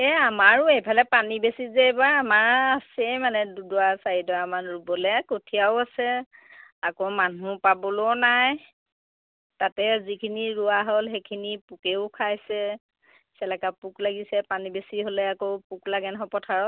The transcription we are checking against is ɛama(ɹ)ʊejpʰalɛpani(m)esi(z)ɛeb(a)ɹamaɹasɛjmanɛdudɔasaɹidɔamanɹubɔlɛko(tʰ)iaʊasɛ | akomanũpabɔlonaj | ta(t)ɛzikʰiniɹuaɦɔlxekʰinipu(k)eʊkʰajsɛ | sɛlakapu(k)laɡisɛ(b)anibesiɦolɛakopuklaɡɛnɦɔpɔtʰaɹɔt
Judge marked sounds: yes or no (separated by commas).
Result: yes, no, yes, yes, yes, yes, yes, yes, no